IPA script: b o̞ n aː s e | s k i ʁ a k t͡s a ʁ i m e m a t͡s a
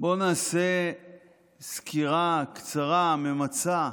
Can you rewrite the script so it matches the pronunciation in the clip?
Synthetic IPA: b o̞ n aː s e | s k i ʁ a k t͡s a ʁ a m e m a t͡s a

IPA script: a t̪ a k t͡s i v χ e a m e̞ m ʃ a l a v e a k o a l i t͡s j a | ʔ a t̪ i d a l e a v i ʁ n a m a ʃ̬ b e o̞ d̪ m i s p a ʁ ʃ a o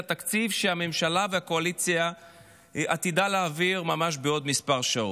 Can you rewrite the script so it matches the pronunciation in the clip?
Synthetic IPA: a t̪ a k t͡s i v ʃ e a m e̞ m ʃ a l a v e a k o a l i t͡s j a | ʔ a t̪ i d a l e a v i ʁ m a m a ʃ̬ b e o̞ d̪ m i s p a ʁ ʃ a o

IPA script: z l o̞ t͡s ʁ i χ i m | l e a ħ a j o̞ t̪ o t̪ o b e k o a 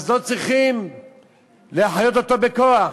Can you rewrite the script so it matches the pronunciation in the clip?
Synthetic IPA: z l o̞ t͡s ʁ i χ i m | l e a ħ a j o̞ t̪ o t̪ o b e k o a

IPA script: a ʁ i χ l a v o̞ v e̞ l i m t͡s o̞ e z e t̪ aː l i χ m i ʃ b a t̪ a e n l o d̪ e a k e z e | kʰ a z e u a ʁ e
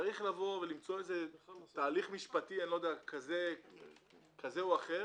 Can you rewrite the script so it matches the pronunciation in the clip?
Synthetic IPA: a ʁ i χ l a v o̞ v e̞ l i m t͡s o̞ e z e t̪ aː l i χ m i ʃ p a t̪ i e n l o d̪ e a k a z e | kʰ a z e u a χ e

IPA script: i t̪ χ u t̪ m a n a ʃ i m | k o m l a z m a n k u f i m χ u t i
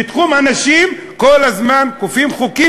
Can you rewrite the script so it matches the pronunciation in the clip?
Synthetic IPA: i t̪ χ u m a n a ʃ i m | k o l a z m a n k u f i m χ u k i

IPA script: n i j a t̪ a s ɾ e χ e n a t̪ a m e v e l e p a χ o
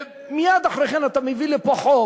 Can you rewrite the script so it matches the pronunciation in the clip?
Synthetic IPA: m i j a d̪ a χ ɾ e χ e n a t̪ a m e v i l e p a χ o

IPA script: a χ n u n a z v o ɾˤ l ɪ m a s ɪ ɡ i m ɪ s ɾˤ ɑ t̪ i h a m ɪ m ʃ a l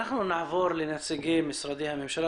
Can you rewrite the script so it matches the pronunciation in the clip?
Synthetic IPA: a ħ n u n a ʕ v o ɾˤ l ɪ n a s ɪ ɡ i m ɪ s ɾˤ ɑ d̪ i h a m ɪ m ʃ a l

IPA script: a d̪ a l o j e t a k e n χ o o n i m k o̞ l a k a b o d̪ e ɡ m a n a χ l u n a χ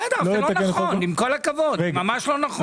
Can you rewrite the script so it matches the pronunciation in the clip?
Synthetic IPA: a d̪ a l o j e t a k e n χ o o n i m k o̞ l a k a v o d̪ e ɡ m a m a ʃ l o n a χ

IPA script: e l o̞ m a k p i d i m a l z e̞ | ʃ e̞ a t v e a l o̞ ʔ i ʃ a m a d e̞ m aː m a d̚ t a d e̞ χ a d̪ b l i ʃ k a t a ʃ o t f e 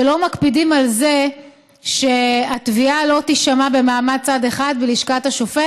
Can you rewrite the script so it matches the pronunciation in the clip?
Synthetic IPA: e l o̞ m a k p i d i m a l z e̞ | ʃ e̞ a t v i a l o̞ t i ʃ a m a b e̞ m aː m a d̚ t͡s a d e̞ χ a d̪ b l i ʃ k a t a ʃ o f e

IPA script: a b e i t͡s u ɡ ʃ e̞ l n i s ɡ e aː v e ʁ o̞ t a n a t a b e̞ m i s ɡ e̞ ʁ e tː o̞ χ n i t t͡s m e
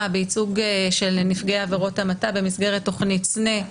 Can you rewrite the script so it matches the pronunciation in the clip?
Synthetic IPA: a b e i t͡s u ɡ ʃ e̞ l n i f ɡ e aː v e ʁ o̞ t a m a t a b e̞ m i s ɡ e̞ ʁ e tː o̞ χ n i t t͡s n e

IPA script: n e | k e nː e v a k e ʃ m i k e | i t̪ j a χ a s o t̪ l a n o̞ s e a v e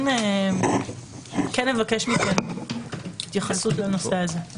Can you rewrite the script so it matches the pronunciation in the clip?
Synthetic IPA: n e | k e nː e v a k e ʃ m i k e | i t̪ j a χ a s u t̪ l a n o̞ s e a z e

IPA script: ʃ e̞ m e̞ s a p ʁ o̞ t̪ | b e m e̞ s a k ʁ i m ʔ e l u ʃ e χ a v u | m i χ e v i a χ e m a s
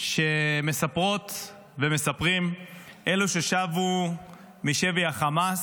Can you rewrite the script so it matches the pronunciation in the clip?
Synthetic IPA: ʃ e̞ m e̞ s a p ʁ o̞ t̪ | v e m e̞ s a p ʁ i m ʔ e l u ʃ e ʃ a v u | m i ʃ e v i a χ a m a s

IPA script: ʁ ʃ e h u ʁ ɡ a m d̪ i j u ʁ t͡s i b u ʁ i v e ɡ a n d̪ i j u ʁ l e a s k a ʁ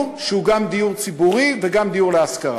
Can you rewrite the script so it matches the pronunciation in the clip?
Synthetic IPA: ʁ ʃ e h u ɡ a m d̪ i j u ʁ t͡s i b u ʁ i v e ɡ a m d̪ i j u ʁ l e a s k a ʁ

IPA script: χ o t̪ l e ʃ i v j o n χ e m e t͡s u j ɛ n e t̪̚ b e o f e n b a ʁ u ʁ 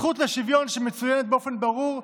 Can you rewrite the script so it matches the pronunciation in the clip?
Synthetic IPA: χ u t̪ l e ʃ i v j o n ʃ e m e t͡s u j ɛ n e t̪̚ b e o f e n b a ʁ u ʁ

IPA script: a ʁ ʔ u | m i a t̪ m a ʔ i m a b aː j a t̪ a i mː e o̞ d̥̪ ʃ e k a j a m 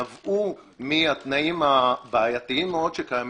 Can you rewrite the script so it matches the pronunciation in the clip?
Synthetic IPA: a v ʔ u | m i a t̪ n a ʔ i m a b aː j a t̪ i i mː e o̞ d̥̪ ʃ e k a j a m

